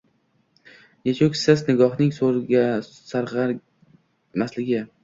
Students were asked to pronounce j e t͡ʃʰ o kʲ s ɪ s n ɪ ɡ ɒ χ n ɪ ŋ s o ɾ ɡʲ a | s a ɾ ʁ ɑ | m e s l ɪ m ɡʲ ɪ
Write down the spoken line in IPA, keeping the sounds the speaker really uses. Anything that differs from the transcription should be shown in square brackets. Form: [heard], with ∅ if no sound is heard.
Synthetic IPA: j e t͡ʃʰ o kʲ s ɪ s n ɪ ɡ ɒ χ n ɪ ŋ s o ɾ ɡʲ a | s a ɾ ʁ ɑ | m [a] s l ɪ [∅] ɡʲ ɪ